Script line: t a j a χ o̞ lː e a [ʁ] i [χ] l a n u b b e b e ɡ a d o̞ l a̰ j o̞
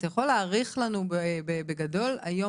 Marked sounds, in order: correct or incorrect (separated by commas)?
correct, correct